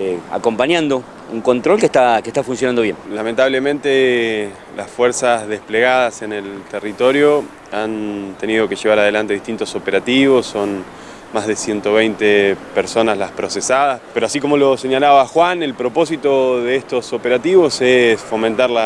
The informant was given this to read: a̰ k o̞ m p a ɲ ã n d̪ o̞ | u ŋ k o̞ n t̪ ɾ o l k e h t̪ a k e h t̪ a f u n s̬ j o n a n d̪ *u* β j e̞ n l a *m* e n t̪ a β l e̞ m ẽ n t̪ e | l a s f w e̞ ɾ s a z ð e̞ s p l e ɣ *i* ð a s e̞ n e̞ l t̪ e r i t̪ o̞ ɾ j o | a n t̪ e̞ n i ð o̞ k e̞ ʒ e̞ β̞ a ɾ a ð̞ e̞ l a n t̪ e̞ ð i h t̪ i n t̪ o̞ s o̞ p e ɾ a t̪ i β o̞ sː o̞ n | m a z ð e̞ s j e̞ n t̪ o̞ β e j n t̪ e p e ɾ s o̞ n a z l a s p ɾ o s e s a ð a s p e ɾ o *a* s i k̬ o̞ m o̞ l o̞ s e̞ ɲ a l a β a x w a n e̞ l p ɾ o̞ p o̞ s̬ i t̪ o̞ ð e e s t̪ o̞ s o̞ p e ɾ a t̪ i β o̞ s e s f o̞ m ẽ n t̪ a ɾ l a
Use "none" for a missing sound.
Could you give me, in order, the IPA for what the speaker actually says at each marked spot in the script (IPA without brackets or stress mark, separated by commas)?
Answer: o, m, a, a